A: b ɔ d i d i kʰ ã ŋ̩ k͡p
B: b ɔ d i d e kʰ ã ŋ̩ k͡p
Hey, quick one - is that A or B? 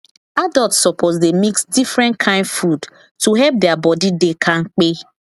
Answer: B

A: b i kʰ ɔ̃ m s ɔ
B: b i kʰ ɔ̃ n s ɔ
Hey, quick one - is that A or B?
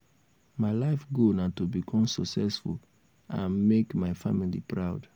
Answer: A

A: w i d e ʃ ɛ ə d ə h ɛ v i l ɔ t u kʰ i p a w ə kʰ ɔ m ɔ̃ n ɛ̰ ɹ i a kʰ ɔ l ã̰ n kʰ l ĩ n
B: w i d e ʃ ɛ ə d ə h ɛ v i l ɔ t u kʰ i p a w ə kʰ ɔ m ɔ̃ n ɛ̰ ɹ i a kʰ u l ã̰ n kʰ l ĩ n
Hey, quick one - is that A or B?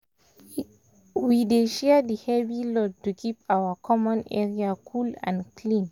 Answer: B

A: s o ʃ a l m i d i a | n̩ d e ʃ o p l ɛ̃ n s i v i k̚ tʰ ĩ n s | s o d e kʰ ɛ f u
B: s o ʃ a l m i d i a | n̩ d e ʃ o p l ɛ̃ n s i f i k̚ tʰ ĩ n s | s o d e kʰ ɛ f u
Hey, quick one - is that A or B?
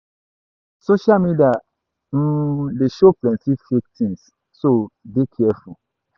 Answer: B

